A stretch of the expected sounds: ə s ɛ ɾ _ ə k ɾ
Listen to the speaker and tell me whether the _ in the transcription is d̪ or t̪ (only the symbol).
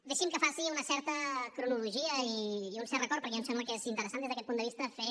t̪